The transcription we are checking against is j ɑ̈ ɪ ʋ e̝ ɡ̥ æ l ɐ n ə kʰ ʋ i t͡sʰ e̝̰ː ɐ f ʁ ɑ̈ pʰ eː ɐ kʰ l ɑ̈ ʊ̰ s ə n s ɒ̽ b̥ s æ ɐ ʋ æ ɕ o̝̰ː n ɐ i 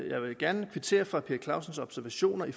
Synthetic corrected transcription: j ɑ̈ ɪ ʋ e̝ ɡ̥ æ ɐ n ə kʰ ʋ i t͡sʰ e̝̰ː ɐ f ʁ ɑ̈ pʰ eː ɐ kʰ l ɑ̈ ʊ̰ s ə n s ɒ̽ b̥ s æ ɐ ʋ æ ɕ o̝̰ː n ɐ i